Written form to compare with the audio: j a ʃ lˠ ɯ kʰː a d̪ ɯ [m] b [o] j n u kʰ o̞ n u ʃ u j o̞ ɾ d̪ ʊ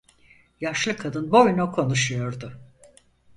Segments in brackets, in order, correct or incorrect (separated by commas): incorrect, correct